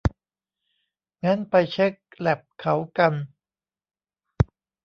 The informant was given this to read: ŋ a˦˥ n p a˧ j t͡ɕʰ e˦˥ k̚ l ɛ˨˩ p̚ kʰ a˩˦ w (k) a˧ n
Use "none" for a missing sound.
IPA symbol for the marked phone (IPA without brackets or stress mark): k